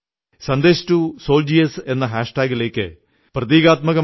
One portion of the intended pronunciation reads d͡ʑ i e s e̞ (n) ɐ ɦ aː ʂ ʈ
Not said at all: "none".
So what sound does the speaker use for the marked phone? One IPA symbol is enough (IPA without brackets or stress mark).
nː